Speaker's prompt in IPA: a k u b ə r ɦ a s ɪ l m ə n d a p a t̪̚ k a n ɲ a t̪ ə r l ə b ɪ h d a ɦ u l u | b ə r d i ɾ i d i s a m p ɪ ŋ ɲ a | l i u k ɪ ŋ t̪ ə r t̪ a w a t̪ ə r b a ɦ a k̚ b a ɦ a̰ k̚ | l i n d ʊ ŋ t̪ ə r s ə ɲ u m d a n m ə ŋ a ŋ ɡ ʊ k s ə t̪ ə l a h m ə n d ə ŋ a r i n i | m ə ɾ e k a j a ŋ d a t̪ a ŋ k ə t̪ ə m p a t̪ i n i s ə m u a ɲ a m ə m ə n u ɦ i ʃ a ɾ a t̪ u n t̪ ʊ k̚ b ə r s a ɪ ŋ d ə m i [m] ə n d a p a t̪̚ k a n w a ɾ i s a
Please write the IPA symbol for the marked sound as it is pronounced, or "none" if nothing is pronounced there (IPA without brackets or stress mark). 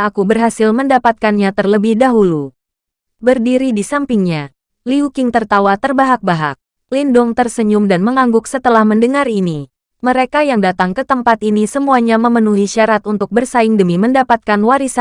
m